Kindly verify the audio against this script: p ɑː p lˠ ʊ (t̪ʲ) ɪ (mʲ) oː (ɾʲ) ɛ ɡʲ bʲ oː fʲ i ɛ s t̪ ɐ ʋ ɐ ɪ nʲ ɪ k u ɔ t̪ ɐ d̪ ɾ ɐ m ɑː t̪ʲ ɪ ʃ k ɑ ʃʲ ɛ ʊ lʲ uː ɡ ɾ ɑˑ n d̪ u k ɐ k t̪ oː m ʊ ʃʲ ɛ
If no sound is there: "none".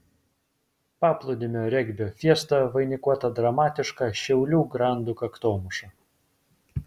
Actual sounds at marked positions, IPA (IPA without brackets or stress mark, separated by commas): d̪ʲ, mʲ, ɾʲ